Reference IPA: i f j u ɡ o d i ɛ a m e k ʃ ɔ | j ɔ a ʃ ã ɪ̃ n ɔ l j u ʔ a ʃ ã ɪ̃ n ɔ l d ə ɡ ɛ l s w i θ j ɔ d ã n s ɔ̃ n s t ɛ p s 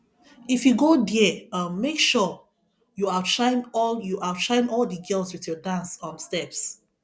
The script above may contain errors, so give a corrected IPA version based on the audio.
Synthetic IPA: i f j u ɡ o d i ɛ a m e k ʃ ɔ | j u a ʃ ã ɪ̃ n ɔ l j u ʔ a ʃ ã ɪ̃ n ɔ l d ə ɡ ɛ l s w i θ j ɔ d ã n s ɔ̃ n s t ɛ p s